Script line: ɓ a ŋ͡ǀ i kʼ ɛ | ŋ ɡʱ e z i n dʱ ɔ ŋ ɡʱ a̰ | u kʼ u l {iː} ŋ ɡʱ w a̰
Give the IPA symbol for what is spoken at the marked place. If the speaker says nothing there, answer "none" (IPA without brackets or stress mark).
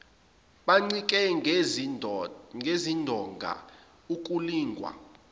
iː